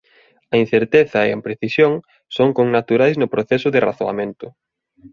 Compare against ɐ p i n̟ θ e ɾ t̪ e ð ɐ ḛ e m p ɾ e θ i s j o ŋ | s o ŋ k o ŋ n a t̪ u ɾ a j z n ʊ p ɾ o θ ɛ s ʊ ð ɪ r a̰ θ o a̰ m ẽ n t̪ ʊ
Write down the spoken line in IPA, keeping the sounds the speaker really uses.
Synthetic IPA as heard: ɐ i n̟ θ e ɾ t̪ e θ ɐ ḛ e m p ɾ e θ i s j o ŋ | s o ŋ k o ŋ n a t̪ u ɾ a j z n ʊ p ɾ o θ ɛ s ʊ ð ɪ r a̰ θ o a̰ m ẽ n t̪ ʊ